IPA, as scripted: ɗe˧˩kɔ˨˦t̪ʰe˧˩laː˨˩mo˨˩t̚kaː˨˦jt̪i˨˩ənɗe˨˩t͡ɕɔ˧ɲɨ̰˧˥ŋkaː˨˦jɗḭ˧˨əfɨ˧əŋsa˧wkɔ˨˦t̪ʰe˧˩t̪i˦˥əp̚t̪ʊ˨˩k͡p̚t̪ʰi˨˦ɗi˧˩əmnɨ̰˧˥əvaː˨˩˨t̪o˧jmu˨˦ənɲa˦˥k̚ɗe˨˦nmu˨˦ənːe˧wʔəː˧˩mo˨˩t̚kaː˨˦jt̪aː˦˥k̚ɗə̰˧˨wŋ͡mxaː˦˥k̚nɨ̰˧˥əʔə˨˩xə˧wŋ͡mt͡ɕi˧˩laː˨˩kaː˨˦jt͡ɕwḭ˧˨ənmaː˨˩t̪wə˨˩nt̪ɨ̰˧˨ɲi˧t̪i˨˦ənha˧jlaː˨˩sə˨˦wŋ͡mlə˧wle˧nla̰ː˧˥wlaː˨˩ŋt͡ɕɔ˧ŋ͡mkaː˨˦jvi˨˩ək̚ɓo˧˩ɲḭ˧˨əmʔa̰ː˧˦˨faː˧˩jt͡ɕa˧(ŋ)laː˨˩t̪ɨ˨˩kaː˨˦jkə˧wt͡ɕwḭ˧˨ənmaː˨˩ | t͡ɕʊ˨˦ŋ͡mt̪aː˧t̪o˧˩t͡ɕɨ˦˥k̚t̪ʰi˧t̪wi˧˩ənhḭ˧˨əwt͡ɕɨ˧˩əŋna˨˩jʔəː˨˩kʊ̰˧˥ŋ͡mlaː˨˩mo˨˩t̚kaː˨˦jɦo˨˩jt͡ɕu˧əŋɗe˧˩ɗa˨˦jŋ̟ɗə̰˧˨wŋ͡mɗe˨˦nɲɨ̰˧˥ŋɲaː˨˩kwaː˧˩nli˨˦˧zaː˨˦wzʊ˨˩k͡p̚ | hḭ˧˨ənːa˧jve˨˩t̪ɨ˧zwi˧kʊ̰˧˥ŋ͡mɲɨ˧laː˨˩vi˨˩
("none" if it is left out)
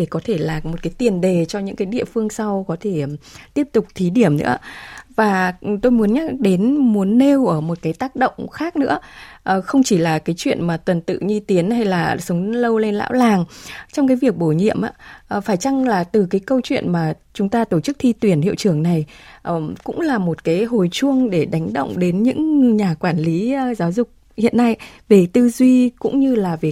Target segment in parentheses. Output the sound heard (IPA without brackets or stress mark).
ŋ